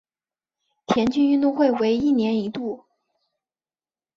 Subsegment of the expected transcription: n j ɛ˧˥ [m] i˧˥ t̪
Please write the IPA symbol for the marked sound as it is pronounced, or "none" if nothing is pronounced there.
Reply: n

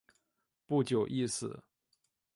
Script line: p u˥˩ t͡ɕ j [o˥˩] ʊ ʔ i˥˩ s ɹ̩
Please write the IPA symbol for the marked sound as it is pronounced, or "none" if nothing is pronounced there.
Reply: o˨˩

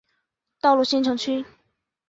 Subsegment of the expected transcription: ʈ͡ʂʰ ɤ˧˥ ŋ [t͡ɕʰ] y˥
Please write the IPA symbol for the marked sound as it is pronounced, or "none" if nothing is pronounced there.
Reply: t͡ɕʰ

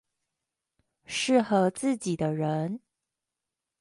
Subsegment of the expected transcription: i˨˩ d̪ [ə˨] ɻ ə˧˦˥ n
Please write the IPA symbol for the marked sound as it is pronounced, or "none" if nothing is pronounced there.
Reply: ə˦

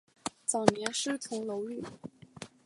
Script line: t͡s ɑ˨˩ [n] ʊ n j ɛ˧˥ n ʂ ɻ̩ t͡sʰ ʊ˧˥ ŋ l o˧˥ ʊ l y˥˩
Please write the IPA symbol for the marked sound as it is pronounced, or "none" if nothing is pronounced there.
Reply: none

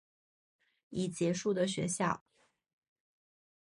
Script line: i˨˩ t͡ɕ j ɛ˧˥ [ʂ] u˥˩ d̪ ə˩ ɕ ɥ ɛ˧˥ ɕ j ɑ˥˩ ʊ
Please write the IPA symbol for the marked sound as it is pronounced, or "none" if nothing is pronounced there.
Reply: ʂ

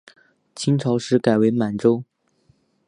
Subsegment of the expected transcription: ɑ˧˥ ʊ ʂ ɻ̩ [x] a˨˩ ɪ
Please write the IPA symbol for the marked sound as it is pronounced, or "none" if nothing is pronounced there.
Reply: k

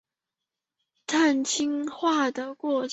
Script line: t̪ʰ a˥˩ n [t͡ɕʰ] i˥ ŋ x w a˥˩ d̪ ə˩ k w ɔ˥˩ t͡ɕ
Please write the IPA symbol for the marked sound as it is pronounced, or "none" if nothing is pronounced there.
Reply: t͡ɕʰ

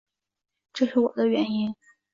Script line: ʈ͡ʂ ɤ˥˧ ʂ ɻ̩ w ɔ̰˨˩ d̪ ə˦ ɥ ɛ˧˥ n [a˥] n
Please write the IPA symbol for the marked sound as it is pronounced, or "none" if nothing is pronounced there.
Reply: i˥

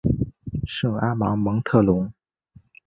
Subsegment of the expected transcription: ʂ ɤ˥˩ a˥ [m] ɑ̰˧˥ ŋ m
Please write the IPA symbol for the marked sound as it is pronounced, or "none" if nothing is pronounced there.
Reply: m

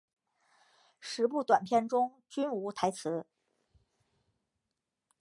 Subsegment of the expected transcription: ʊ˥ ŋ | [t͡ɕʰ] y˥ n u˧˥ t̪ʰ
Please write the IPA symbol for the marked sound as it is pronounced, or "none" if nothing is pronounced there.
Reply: t͡ɕ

